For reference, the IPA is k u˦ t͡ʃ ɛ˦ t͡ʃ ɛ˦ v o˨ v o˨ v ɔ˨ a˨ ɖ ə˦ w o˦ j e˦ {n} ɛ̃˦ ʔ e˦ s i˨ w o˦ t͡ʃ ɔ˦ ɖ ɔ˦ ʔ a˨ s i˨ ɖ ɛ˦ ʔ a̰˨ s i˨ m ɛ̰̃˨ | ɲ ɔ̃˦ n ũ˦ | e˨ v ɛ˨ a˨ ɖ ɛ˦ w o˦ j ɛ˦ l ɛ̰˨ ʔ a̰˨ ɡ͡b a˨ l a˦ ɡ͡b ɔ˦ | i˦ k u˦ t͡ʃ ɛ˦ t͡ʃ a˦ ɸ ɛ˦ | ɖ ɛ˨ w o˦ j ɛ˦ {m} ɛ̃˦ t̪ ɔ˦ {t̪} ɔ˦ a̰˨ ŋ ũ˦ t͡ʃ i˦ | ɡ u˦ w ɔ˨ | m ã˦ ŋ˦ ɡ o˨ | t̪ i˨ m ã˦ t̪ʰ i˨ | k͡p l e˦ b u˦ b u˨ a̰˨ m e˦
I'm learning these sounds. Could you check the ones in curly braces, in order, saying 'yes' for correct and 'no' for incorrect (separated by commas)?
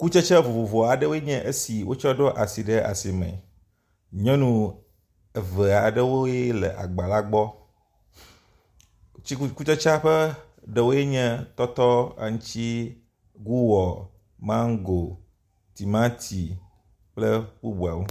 no, no, yes